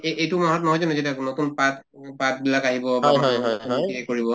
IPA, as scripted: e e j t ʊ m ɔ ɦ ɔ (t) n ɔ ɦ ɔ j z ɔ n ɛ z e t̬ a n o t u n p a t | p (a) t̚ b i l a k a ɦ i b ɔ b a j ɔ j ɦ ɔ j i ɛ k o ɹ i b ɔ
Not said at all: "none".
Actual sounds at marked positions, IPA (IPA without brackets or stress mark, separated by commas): t, a